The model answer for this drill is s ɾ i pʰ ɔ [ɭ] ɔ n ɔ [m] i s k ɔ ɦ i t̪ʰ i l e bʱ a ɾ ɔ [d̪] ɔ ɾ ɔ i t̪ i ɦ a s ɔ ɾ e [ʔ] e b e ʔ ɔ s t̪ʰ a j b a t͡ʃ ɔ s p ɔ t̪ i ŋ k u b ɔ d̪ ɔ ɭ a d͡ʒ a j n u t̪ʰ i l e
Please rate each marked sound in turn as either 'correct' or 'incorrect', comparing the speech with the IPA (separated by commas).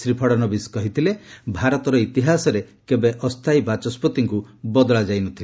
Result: incorrect, incorrect, incorrect, incorrect